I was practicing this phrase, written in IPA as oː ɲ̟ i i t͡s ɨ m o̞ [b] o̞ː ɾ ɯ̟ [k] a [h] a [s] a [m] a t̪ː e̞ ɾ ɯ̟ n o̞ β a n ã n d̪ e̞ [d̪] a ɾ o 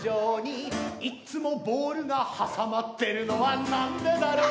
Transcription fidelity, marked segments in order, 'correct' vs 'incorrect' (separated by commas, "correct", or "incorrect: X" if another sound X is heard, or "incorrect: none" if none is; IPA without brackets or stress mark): correct, incorrect: ɡ, correct, correct, correct, correct